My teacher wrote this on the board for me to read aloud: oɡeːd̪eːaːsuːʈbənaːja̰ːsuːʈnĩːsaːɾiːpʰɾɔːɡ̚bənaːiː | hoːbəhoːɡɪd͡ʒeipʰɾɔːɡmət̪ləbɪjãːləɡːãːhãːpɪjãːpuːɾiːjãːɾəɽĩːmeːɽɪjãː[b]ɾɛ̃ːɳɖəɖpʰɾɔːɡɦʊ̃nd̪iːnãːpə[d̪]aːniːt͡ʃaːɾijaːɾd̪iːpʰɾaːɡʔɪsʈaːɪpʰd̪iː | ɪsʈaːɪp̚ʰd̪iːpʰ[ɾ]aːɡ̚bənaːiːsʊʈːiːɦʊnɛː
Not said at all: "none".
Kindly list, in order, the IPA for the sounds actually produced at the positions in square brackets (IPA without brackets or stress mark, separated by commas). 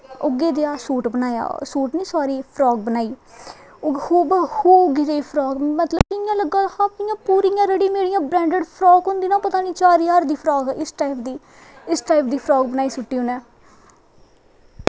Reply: b, t̪, ɾ